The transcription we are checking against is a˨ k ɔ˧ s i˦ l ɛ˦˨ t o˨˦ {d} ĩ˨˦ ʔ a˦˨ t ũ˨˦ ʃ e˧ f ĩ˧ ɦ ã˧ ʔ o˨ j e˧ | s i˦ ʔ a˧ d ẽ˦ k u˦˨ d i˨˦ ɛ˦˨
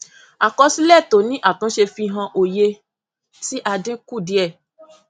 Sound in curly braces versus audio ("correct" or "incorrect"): incorrect